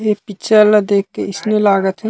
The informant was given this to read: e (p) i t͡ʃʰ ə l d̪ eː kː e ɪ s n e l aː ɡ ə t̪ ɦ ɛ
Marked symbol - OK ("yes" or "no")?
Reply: yes